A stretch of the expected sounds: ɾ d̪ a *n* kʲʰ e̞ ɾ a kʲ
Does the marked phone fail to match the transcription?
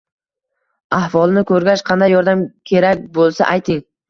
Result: yes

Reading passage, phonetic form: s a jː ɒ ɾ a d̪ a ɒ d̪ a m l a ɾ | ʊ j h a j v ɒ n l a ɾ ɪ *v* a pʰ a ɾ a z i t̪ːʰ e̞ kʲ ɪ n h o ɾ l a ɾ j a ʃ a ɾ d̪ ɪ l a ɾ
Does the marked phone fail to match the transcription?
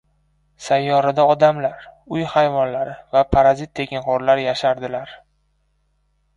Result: no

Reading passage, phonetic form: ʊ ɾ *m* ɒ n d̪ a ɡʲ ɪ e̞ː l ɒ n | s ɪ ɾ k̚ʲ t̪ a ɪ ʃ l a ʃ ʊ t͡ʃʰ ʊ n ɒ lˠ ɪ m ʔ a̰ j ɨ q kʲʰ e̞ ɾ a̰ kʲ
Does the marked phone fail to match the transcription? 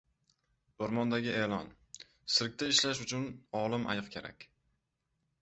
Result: no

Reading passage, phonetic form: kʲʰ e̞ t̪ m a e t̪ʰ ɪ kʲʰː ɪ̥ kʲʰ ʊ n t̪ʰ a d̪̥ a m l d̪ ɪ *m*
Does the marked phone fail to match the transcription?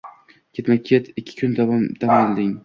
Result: yes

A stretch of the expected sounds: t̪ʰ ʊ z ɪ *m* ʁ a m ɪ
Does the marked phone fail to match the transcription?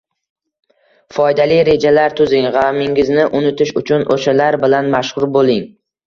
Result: yes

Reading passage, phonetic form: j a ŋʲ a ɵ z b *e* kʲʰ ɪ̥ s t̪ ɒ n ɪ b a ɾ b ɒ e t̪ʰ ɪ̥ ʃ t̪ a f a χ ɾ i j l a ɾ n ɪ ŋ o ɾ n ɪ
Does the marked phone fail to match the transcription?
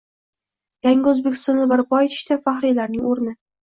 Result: no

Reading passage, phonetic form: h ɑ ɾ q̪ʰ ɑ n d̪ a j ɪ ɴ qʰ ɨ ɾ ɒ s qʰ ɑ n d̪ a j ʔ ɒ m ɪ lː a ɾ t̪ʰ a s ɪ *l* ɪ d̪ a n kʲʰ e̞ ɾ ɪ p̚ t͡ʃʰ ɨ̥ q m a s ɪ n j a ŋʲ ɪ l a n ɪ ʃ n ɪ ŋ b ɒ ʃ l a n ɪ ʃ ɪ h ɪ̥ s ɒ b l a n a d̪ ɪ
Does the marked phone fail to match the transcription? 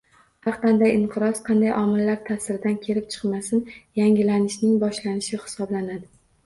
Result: yes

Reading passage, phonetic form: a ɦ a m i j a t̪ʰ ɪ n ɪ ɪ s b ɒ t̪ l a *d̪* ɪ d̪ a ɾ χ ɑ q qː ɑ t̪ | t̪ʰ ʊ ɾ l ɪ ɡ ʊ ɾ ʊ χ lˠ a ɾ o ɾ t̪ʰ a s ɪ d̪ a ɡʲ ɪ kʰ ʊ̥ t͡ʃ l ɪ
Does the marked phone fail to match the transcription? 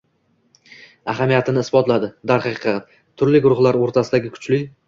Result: no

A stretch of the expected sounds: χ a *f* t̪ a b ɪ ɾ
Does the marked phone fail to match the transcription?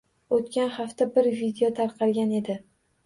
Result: no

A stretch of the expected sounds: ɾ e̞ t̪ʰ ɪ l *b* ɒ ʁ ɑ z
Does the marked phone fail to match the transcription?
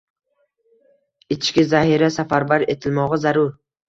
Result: yes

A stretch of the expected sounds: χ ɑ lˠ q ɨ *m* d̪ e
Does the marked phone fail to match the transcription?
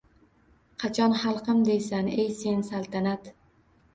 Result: no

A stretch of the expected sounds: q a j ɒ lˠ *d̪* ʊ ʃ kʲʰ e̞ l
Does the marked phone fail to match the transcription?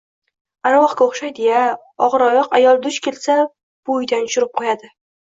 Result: no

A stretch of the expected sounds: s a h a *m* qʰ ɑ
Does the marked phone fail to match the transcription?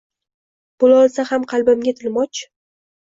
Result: no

